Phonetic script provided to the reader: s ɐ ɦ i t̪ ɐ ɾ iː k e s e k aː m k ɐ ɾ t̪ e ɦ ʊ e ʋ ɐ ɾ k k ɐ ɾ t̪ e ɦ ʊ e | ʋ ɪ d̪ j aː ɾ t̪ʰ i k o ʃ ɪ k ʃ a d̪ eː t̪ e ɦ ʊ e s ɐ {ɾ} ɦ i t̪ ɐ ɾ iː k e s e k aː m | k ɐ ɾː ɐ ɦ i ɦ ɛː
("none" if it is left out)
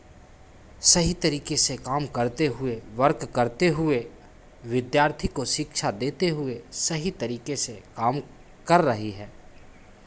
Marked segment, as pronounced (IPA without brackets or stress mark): none